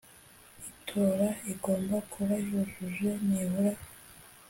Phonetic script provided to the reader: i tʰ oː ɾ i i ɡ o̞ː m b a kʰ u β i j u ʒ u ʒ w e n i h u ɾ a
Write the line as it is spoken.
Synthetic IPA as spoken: i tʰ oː ɾ a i ɡ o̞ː m b a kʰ u β a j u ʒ u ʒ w e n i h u ɾ a